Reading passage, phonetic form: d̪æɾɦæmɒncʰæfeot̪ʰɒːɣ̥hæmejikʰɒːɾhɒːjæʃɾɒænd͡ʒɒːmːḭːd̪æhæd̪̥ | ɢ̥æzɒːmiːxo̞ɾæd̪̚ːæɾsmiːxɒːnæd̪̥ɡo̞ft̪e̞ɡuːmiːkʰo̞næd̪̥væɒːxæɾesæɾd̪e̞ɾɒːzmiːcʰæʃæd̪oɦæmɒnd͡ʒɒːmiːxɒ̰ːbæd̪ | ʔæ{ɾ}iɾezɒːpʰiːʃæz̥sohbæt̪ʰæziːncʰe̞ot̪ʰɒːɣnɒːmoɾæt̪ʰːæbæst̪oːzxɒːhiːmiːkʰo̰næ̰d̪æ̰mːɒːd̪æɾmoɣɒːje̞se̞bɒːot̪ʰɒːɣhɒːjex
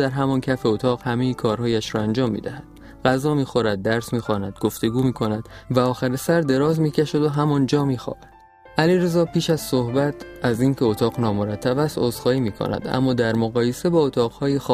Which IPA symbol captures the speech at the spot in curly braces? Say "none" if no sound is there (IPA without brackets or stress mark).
l